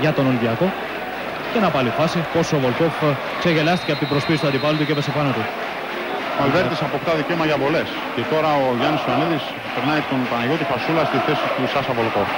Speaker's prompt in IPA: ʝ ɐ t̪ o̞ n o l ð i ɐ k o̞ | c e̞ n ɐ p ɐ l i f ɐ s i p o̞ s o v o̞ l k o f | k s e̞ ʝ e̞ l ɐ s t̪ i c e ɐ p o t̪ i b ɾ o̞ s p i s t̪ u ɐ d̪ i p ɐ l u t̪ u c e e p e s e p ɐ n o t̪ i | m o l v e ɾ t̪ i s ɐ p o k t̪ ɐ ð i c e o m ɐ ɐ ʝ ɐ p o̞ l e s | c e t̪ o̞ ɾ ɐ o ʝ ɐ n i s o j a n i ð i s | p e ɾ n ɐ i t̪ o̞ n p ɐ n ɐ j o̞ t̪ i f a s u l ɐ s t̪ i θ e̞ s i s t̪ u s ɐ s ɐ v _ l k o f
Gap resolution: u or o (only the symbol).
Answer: o